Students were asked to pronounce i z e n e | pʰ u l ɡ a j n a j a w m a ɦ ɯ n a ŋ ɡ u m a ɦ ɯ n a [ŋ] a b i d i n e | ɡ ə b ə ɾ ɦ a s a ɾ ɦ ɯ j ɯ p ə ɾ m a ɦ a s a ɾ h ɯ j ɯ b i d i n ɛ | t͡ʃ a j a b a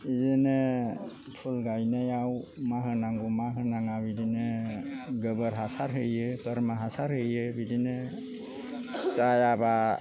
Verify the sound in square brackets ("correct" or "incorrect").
correct